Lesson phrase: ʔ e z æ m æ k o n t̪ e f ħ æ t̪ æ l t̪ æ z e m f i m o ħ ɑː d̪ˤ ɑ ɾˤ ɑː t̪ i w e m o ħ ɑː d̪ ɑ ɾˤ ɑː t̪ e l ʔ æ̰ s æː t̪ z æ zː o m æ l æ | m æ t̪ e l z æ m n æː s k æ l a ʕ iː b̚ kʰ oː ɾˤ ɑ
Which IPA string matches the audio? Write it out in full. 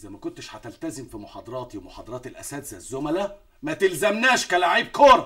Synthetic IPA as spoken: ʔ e z æ m æ k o n t̪ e ʃ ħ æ t̪ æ l t̪ æ z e m f i m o ħ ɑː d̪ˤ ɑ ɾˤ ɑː t̪ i w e m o ħ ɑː d̪ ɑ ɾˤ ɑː t̪ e l ʔ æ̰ s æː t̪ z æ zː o m æ l æ | m æ t̪ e l z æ m n æː ʃ k æ l a ʕ iː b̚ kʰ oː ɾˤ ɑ

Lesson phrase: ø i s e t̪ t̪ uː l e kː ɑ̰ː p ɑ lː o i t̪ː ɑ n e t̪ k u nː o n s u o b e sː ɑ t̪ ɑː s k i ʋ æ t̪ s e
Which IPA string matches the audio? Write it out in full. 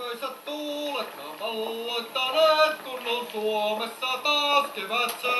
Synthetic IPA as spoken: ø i s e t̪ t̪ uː l e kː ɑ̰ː p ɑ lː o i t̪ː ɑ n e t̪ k u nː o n s u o m e sː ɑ t̪ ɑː s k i ʋ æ t̪ s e

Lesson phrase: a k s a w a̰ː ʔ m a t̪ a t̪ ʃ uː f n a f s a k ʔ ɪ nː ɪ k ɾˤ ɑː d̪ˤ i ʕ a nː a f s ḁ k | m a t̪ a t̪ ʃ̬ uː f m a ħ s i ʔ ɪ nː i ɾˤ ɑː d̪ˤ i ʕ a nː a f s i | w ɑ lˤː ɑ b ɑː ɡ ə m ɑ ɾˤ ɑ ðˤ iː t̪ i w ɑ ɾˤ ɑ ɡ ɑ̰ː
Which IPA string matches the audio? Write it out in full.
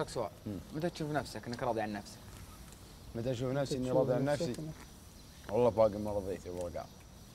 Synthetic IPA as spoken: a k s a w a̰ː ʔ m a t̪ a t̪ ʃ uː f n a f s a k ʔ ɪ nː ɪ k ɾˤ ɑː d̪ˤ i ʕ a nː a f s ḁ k | m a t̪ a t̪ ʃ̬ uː f n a f s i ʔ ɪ nː i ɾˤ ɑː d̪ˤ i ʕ a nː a f s i | w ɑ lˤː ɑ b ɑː ɡ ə m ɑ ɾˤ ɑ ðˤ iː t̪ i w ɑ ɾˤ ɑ ɡ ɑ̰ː

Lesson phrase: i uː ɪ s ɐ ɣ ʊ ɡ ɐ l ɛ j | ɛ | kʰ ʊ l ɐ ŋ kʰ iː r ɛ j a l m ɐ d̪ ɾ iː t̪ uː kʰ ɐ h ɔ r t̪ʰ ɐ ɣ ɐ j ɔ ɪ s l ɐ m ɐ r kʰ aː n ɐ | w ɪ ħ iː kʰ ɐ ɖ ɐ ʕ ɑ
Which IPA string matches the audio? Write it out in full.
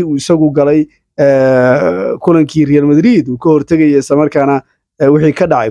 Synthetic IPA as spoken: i uː ɪ s ɐ ɣ ʊ ɡ ɐ l ɛ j | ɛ | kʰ ʊ l ɐ ŋ kʰ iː r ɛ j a l m ɐ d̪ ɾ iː d̪ uː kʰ ɐ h ɔ r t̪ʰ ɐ ɣ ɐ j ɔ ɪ s l ɐ m ɐ r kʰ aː n ɐ | w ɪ ħ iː kʰ ɐ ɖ ɑ ʕ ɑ

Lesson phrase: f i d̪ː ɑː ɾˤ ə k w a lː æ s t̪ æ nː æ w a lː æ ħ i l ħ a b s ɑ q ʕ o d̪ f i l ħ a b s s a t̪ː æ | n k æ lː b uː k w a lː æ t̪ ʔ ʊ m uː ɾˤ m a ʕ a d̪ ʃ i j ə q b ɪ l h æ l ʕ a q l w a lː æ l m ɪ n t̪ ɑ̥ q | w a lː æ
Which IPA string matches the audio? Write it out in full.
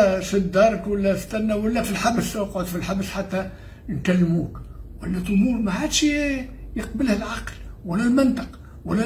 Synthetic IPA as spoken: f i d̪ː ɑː ɾˤ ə k w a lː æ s t̪ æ nː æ w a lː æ f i l ħ a b s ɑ q ʕ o d̪ f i l ħ a b s ħ a t̪ː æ | n k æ lː m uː k w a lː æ t̪ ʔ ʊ m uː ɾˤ m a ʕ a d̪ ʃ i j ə q b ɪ l h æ l ʕ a q l w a lː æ l m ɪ n t̪ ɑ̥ q | w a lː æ

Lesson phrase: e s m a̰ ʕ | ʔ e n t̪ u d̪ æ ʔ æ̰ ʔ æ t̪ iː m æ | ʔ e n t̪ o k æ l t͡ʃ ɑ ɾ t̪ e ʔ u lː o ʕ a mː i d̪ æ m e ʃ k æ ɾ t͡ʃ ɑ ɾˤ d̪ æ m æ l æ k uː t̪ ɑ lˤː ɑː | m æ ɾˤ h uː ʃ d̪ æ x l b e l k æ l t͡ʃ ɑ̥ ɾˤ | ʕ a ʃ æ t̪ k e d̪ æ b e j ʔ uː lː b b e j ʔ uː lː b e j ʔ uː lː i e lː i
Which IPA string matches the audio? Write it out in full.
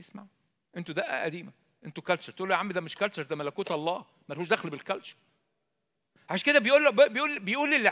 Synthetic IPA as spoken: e s m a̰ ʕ | ʔ e n t̪ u d̪ æ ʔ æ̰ ʔ æ d̪ iː m æ | ʔ e n t̪ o k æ l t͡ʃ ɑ ɾ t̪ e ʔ u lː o ʕ a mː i d̪ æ m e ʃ k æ l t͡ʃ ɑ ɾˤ d̪ æ m æ l æ k uː t̪ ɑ lˤː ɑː | m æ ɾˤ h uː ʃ d̪ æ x l b e l k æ l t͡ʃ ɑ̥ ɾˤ | ʕ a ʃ æ k e d̪ æ b e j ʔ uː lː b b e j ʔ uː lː b e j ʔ uː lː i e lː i

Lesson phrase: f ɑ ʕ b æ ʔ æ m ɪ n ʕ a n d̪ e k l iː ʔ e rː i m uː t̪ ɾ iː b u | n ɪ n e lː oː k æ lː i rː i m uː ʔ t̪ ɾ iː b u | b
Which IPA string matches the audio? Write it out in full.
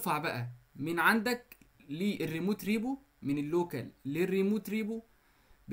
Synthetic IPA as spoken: f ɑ ʕ b æ ʔ æ m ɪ n ʕ a n d̪ æ k l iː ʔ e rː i m uː t̪ ɾ iː b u | m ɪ n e lː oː k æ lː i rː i m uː t̪ ɾ iː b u | b

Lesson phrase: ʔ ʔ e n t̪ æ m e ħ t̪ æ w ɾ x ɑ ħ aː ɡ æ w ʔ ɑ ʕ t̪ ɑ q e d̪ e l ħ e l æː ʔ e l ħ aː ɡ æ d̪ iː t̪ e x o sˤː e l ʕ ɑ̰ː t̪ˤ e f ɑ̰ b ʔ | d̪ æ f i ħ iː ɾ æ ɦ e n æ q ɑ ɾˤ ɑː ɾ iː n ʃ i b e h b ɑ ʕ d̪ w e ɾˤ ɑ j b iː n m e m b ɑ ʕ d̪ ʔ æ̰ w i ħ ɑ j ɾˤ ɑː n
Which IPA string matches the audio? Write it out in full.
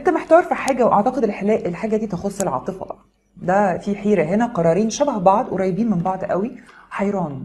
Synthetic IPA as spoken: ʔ ʔ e n t̪ æ m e ħ t̪ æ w ɾ f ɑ ħ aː ɡ æ w ʔ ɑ ʕ t̪ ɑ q e d̪ e l ħ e l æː ʔ e l ħ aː ɡ æ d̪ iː t̪ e x o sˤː e l ʕ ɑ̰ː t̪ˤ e f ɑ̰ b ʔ | d̪ æ f i ħ iː ɾ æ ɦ e n æ q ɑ ɾˤ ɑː ɾ iː n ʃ æ b æ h b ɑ ʕ d̪ w e ɾˤ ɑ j b iː n m e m b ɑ ʕ d̪ ʔ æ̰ w i ħ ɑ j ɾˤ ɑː n

